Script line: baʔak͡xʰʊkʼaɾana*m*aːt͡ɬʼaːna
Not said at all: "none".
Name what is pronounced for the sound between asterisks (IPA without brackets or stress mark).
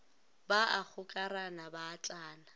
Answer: b